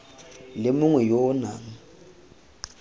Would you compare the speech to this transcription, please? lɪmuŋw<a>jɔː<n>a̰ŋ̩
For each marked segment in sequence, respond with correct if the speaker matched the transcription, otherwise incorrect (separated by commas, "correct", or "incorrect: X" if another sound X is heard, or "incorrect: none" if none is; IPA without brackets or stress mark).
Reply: incorrect: ɛ, correct